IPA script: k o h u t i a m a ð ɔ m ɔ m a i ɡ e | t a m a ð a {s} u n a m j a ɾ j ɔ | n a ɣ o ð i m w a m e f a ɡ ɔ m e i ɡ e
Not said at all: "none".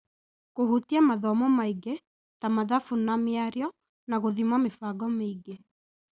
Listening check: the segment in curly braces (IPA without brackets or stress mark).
f